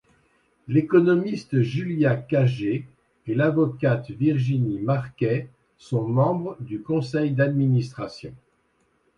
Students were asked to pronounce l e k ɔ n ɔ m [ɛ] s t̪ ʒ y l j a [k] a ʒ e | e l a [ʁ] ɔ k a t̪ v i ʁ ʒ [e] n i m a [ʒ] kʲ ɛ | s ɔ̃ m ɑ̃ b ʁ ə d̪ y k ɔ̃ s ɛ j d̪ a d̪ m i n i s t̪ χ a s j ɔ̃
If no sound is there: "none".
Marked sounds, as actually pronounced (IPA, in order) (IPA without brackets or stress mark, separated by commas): i, k, v, i, ʁ